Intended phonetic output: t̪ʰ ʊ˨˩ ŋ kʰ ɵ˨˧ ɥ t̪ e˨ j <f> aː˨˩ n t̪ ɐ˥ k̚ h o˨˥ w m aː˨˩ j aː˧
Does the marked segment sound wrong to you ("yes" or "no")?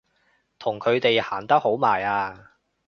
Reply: yes